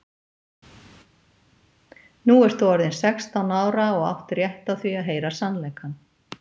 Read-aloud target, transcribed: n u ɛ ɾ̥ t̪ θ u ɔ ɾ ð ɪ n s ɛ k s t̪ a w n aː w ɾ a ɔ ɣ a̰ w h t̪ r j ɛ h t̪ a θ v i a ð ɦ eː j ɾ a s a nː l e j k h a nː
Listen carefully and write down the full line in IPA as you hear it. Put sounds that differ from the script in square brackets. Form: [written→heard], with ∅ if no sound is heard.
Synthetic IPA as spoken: n u ɛ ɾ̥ t̪ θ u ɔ ɾ ð ɪ n s ɛ k s t̪ a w n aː w ɾ a ɔ ɣ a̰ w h t̪ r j ɛ h t̪ a θ v i a ð ɦ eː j ɾ a s a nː l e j k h a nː